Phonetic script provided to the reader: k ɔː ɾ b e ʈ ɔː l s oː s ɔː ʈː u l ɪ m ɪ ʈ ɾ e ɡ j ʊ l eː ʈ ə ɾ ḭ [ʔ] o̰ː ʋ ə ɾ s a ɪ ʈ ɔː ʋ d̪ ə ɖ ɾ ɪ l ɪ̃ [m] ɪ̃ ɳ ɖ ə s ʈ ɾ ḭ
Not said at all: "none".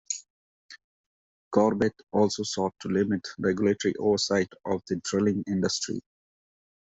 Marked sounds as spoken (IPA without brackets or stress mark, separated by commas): ʔ, ŋ